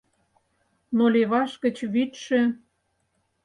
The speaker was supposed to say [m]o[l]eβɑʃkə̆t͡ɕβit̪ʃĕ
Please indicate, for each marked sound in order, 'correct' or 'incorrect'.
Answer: incorrect: n, correct

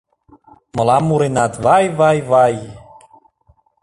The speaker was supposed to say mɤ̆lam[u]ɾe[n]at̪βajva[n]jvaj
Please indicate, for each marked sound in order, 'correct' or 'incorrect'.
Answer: correct, correct, incorrect: none

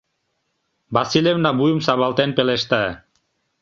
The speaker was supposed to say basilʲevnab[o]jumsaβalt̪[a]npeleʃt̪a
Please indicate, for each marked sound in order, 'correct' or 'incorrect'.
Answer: incorrect: u, incorrect: e

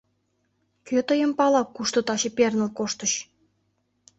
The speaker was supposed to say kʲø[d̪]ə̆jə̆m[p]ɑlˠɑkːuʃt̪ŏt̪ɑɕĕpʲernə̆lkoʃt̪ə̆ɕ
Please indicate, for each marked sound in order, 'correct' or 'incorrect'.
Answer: incorrect: t̪, correct

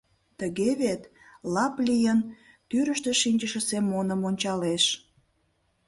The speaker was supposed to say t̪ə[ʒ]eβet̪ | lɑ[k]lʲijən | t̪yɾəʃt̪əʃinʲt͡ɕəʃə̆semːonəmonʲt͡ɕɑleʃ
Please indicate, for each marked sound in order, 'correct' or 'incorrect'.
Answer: incorrect: ɣ, incorrect: p

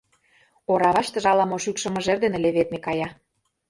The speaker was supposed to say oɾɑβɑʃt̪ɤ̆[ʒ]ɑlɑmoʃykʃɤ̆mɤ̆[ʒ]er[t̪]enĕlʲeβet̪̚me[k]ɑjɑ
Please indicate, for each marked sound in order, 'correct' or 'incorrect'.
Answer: correct, correct, incorrect: d̪, correct

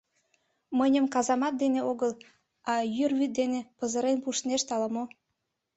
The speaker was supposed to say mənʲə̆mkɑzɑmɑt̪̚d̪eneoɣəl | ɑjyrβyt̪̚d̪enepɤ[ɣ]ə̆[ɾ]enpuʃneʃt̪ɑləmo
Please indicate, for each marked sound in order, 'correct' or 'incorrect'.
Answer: incorrect: z, correct

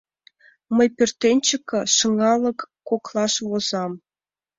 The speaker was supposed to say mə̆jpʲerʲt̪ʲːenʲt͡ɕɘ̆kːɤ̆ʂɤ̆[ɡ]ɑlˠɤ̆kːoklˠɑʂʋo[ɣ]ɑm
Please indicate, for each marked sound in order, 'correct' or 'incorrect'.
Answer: incorrect: ŋ, incorrect: z

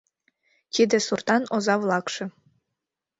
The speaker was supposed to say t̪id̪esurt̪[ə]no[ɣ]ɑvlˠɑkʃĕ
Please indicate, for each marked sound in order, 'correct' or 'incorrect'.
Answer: incorrect: ɑ, incorrect: z

